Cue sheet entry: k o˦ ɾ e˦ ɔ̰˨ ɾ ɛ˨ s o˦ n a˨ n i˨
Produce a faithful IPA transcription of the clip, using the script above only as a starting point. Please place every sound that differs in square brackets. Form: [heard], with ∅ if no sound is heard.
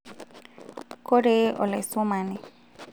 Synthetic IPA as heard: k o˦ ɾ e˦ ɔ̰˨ [l] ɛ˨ s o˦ [m] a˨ n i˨